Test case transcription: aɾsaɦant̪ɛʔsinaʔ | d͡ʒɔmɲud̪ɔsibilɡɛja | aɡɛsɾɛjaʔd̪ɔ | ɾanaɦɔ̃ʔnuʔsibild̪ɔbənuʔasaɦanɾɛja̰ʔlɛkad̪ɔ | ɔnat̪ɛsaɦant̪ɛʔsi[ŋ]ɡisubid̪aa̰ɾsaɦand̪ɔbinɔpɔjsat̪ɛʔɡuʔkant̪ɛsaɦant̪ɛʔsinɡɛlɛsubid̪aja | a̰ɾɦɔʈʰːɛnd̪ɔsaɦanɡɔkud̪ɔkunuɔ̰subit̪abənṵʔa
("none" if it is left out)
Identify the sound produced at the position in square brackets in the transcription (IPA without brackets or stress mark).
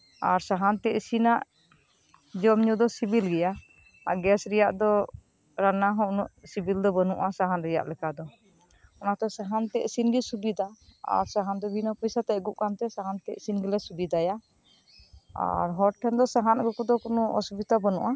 n